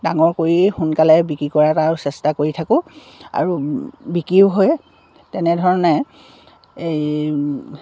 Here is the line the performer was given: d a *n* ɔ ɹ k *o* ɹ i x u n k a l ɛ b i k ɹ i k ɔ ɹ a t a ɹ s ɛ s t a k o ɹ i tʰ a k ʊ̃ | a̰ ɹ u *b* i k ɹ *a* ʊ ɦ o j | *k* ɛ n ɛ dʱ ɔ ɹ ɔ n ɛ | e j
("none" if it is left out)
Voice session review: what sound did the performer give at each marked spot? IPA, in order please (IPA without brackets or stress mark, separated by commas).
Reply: ŋ, o, b, i, t